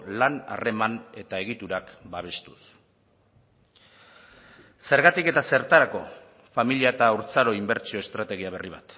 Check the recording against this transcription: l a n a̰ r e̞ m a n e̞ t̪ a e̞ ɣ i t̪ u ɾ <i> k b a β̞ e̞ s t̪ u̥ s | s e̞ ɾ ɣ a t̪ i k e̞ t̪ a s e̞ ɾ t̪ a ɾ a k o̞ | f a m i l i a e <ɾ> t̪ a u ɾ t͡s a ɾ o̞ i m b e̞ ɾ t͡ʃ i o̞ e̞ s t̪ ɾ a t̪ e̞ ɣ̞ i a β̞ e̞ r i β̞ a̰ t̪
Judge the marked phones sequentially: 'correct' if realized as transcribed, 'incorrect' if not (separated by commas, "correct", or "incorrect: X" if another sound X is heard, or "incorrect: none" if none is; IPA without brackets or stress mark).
incorrect: a, incorrect: none